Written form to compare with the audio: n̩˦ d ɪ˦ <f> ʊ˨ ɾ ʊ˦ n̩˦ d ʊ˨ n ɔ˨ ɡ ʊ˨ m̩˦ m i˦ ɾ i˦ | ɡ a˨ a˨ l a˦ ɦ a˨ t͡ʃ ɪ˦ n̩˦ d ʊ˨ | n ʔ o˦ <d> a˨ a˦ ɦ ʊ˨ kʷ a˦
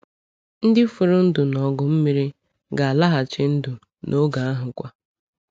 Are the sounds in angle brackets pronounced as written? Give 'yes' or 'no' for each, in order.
yes, no

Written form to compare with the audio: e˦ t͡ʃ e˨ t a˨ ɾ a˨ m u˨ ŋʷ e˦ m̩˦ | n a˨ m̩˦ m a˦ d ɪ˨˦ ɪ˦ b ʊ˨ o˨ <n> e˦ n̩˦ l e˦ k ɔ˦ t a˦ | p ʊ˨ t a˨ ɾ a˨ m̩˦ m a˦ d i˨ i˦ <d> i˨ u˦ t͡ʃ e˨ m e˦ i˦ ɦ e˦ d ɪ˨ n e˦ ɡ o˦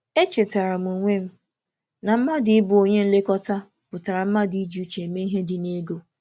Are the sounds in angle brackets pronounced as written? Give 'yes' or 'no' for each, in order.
no, no

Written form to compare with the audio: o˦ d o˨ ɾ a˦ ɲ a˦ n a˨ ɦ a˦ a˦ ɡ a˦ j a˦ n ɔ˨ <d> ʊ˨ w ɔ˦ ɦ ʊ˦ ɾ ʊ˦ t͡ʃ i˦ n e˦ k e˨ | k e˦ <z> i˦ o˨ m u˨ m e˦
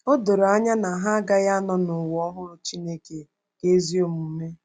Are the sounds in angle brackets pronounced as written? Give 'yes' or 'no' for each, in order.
no, yes

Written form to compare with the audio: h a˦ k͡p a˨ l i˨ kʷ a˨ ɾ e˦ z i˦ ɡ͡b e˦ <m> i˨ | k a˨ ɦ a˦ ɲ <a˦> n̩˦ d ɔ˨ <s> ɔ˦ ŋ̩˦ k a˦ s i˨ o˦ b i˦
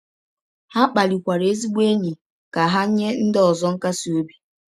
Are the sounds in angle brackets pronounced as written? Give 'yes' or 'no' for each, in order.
no, no, no

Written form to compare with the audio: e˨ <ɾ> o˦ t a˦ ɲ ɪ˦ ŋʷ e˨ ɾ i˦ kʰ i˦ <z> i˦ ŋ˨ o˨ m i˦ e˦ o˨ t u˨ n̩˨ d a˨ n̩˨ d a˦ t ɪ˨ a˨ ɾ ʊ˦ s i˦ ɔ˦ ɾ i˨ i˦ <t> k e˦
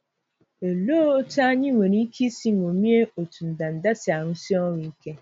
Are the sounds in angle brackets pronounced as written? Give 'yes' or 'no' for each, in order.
no, no, no

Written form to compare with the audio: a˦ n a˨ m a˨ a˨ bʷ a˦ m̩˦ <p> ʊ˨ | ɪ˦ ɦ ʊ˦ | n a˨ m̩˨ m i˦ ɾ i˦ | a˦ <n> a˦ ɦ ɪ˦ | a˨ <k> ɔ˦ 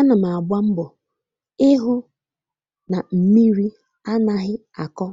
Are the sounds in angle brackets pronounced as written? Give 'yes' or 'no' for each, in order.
no, yes, yes

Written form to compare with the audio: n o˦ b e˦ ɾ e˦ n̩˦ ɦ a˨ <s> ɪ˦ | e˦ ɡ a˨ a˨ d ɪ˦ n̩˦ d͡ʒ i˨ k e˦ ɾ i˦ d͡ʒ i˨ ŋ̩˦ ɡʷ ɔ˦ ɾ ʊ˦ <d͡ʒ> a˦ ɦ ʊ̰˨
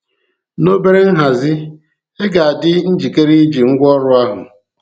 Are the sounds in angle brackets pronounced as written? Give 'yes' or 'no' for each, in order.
no, no

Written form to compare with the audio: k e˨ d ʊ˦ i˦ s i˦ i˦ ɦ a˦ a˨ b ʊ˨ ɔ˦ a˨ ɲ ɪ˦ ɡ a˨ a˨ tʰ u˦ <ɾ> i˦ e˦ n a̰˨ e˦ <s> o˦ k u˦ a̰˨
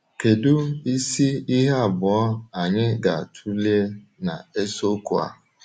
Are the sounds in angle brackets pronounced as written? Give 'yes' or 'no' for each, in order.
no, yes

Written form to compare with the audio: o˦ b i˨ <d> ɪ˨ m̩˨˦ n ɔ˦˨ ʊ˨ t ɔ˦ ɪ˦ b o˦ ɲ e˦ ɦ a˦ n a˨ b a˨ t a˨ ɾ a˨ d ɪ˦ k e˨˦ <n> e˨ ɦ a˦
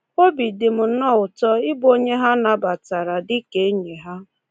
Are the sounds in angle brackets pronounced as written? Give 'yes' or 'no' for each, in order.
yes, no

